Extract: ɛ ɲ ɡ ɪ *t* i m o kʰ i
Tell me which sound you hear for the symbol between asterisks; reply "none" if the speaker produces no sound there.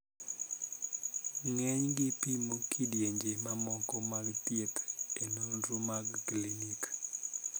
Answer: p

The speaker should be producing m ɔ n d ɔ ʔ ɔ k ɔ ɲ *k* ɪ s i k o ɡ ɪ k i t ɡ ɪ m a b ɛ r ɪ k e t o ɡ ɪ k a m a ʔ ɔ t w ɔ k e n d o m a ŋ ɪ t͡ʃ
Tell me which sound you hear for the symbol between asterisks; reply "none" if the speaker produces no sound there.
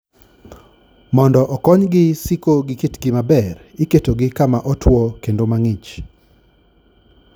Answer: ɡ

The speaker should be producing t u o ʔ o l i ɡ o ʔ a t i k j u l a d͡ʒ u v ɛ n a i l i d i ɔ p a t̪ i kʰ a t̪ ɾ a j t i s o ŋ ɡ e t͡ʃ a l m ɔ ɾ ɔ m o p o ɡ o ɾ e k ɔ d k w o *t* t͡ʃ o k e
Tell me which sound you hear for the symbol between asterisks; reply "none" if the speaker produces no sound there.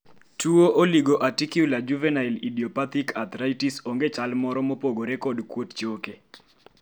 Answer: t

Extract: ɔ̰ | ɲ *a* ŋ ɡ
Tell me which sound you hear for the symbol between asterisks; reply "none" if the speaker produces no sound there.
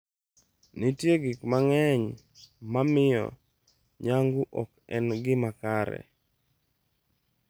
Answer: a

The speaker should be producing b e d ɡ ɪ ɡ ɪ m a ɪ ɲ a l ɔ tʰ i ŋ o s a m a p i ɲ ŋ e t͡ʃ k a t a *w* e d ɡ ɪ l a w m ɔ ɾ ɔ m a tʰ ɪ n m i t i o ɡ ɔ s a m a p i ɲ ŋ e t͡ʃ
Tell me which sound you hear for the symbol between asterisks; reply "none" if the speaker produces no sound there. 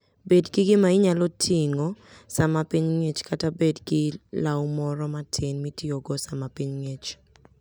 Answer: b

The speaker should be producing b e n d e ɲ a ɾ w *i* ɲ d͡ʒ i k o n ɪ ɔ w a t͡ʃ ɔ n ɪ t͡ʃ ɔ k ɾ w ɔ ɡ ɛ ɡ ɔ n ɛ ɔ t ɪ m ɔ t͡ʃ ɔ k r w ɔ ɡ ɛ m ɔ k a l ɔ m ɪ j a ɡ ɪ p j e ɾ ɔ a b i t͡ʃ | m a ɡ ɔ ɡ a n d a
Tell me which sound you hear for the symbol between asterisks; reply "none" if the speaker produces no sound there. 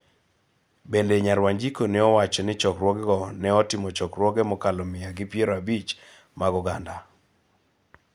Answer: a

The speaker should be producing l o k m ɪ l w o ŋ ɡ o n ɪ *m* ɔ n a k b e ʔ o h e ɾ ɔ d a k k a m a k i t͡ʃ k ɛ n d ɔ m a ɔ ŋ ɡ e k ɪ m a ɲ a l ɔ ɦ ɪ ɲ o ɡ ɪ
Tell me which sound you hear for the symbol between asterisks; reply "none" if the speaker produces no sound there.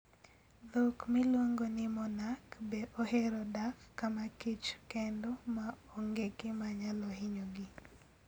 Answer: m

